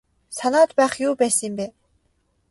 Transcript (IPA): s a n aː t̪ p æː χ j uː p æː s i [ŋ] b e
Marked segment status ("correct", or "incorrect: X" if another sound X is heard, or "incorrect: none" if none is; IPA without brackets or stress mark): incorrect: m